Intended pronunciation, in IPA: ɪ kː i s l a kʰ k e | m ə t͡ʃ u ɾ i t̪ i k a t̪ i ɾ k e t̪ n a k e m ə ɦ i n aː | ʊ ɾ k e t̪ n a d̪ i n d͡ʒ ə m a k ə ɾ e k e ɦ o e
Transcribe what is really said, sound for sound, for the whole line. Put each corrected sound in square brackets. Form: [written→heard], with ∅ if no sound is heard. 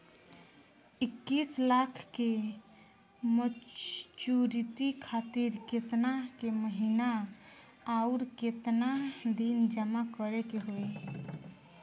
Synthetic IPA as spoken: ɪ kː i s l a kʰ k e | m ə t͡ʃ u ɾ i t̪ i [k→kʰ] a t̪ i ɾ k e t̪ n a k e m ə ɦ i n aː | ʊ ɾ k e t̪ n a d̪ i n d͡ʒ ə m a k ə ɾ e k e ɦ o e